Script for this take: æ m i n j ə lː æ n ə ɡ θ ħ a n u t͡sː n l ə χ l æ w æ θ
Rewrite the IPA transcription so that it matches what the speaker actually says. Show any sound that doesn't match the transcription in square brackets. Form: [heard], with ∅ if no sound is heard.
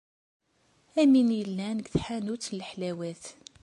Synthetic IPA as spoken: æ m i n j ə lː æ n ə ɡ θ ħ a n u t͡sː n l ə [ħ] l æ w æ θ